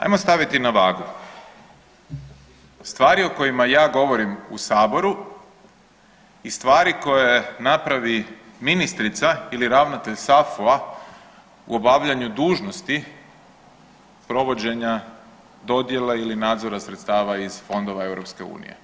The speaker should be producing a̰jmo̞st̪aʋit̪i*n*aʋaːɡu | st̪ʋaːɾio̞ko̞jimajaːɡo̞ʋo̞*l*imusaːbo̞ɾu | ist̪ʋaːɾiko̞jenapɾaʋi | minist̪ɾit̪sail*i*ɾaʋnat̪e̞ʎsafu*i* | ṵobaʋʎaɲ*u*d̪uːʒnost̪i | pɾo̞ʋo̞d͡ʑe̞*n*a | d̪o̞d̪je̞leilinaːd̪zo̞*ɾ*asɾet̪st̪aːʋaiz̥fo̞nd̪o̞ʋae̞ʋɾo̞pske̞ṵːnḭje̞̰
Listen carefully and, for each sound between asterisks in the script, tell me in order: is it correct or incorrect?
correct, incorrect: ɾ, correct, incorrect: a, correct, incorrect: ɲ, correct

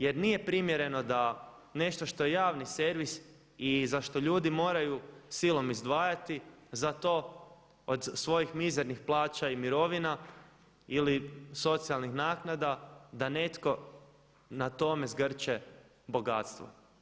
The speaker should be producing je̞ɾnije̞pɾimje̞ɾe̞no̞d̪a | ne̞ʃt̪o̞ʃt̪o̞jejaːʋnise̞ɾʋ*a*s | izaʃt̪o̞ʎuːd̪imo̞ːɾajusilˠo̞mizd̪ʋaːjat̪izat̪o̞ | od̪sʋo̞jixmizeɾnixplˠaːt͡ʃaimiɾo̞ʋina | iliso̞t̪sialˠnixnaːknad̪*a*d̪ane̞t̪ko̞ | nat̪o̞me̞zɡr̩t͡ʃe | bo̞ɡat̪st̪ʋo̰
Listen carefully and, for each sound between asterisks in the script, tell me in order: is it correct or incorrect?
incorrect: i, correct

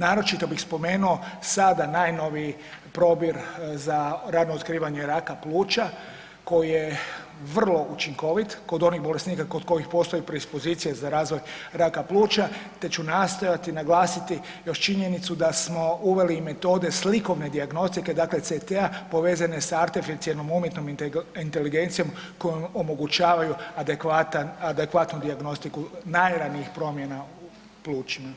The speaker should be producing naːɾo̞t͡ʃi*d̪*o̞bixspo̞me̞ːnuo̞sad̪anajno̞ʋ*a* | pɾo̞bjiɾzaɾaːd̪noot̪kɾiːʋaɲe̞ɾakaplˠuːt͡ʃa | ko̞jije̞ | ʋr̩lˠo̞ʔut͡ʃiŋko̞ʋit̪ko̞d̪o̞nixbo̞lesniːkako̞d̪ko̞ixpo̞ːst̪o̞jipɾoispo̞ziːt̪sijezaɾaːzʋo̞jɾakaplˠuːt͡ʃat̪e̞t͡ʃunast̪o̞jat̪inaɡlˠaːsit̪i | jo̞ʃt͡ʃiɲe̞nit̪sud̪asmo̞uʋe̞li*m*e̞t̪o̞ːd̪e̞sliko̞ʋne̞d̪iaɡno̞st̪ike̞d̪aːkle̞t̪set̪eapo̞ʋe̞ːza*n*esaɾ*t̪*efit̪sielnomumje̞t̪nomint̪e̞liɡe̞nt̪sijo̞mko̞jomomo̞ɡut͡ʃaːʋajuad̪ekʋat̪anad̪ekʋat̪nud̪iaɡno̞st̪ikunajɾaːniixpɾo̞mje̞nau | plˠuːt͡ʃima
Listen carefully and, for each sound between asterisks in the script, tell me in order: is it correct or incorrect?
incorrect: t̪, incorrect: i, correct, correct, correct

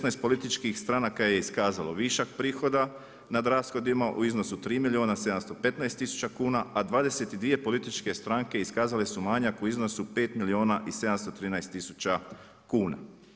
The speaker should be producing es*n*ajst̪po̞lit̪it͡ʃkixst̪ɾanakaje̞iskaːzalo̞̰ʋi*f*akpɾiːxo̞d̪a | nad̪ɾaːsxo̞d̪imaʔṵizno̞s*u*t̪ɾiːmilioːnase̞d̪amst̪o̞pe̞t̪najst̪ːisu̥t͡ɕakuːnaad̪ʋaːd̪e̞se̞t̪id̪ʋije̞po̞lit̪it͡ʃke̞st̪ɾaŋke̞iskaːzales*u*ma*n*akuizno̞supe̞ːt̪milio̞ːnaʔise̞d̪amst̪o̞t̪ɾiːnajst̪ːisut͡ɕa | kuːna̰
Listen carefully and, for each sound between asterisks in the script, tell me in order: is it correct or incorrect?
correct, incorrect: ʃ, correct, correct, incorrect: ɲ

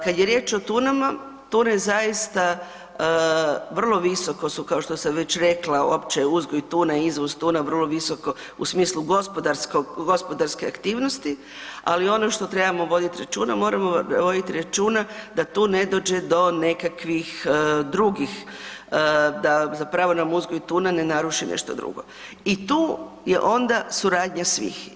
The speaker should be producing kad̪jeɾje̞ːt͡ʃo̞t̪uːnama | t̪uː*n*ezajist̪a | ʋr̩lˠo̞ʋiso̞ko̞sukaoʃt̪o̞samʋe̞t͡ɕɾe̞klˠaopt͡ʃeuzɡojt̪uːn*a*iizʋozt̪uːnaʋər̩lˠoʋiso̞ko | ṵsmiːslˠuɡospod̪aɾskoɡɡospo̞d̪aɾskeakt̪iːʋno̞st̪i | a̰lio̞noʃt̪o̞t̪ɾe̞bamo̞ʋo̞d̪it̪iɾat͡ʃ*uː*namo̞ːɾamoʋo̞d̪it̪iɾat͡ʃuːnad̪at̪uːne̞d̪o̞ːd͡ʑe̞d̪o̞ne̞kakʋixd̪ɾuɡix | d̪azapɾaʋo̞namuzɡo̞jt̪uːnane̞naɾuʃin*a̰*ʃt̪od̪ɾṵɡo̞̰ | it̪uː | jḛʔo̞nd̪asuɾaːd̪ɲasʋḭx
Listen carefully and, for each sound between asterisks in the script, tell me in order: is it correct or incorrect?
correct, correct, correct, incorrect: ḛ

